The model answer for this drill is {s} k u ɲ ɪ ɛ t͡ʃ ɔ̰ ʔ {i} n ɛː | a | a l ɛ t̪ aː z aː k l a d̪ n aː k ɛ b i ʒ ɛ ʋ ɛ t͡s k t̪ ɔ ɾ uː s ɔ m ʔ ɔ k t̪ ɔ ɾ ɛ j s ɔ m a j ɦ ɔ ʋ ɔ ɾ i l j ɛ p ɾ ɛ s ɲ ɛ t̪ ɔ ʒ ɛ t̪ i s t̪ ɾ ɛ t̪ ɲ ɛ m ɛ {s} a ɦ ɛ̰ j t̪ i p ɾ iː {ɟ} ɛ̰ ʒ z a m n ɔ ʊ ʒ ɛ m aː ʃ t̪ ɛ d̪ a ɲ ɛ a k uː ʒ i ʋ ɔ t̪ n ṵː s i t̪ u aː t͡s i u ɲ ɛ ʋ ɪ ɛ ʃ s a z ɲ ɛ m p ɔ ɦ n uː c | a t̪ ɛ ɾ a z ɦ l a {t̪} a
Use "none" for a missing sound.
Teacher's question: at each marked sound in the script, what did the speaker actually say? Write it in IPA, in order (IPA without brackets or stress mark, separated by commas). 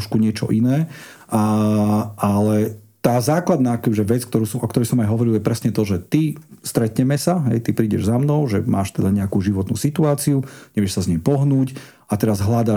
ʃ, i, s, ɟ, d̪